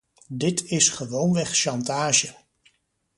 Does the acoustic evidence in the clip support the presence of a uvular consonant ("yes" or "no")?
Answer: yes